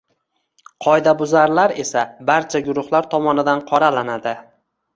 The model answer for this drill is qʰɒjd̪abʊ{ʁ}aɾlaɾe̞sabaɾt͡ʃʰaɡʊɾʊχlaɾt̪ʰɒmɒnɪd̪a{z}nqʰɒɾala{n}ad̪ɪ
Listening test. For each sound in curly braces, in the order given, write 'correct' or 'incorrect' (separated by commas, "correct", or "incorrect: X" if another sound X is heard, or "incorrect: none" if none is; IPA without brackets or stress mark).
incorrect: z, incorrect: none, correct